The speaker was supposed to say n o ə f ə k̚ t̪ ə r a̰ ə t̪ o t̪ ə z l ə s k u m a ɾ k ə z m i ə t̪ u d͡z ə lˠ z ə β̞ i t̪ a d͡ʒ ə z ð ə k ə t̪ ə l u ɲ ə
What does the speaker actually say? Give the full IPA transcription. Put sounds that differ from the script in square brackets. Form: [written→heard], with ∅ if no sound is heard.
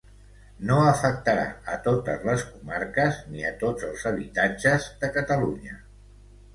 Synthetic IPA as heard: n o ə f ə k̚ t̪ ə [r→ɾ] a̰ ə t̪ o t̪ ə z l ə s k u m a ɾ k ə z [m→n] i ə t̪ [u→o] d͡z ə lˠ z ə β̞ i t̪ a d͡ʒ ə z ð ə k ə t̪ ə l u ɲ ə